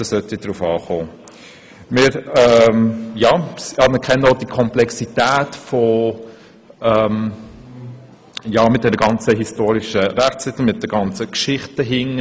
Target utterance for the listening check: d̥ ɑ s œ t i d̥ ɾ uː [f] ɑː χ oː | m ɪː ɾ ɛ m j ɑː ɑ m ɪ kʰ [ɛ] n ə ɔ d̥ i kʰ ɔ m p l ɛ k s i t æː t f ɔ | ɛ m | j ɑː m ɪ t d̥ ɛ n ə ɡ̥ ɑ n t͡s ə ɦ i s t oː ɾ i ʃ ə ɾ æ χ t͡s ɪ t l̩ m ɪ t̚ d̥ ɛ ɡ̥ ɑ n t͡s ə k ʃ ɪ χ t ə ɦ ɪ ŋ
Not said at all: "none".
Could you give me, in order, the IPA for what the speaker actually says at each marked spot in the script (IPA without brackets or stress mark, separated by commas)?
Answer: f, ɛ